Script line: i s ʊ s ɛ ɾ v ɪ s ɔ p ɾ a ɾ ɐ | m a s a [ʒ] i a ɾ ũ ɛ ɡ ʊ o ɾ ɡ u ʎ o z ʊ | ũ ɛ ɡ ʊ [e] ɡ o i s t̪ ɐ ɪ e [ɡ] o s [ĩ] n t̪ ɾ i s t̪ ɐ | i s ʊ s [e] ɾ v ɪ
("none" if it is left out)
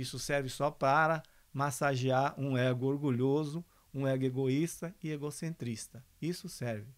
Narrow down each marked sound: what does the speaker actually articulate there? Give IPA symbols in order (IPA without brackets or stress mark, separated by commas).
ʒ, e, ɡ, ẽ, ɛ